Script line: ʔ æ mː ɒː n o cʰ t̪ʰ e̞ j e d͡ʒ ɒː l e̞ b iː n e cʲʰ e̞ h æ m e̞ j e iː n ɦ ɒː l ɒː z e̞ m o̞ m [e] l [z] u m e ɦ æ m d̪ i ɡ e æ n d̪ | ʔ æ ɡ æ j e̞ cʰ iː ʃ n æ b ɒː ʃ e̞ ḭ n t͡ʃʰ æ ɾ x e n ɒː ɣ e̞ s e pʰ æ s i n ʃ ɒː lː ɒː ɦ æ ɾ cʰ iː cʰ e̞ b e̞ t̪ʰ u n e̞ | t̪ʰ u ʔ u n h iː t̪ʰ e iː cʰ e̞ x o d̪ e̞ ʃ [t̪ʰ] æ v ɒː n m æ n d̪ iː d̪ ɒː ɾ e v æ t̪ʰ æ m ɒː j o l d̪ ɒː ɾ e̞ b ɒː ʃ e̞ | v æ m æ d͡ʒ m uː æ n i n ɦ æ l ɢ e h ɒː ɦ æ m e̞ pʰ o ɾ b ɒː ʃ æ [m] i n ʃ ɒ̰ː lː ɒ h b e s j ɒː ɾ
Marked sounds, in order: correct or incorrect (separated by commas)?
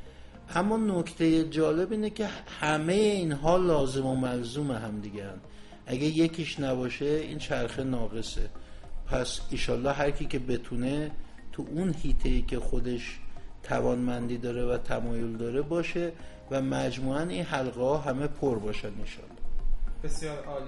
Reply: incorrect, correct, correct, incorrect